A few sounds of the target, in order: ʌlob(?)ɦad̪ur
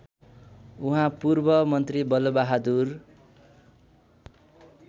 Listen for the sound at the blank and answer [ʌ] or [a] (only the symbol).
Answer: a